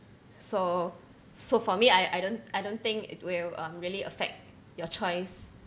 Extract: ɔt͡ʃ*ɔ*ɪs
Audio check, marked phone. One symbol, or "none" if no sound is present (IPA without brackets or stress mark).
ɔ